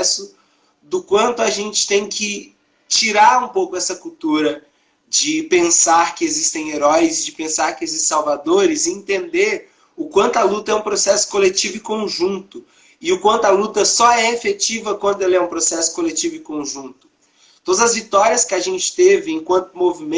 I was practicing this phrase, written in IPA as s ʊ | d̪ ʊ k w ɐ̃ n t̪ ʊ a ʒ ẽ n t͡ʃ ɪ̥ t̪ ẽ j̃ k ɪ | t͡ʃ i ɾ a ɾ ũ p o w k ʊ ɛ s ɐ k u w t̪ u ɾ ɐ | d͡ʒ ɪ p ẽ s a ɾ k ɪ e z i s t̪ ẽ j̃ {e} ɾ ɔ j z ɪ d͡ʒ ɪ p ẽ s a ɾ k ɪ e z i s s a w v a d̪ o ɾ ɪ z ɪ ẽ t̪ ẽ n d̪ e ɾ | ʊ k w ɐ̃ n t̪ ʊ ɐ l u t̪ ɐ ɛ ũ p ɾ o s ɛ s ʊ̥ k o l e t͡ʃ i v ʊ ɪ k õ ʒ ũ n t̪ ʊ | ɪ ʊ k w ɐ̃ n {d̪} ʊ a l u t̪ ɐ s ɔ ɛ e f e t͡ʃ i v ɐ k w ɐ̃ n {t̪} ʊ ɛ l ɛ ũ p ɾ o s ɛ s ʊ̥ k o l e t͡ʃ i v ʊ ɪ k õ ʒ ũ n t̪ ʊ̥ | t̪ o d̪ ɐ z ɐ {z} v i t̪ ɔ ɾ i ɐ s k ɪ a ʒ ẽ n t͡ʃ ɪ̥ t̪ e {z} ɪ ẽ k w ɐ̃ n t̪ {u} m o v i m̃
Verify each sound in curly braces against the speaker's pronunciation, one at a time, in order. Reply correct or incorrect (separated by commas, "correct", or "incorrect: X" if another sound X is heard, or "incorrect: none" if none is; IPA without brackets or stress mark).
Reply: correct, incorrect: t̪, incorrect: d̪, correct, incorrect: v, incorrect: ʊ